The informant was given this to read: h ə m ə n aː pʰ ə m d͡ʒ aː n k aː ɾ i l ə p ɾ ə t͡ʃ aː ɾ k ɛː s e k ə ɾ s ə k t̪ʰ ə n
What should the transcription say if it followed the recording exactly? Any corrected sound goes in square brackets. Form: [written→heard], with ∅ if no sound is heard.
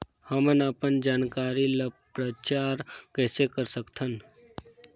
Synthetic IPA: h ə m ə n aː [pʰ→p] ə [m→n] d͡ʒ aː n k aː ɾ i l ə p ɾ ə t͡ʃ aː ɾ k ɛː s e k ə ɾ s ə k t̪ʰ ə n